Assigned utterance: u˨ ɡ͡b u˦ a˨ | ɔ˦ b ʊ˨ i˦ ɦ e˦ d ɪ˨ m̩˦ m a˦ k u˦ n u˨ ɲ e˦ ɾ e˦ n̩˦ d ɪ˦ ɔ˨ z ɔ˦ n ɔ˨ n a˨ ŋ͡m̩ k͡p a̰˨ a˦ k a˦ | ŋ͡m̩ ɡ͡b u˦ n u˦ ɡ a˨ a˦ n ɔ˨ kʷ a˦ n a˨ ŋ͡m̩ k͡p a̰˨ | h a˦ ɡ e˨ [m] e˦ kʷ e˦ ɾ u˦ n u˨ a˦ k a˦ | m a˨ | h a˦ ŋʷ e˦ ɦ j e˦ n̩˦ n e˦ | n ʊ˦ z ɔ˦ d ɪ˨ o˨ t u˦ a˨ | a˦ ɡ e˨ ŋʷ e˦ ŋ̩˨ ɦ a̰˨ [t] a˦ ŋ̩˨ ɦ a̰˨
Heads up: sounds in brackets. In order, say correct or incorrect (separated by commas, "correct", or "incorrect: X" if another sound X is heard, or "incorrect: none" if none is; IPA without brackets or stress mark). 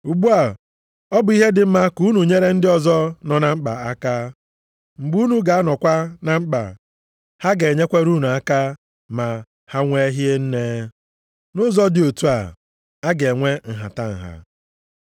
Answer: incorrect: ɲ, correct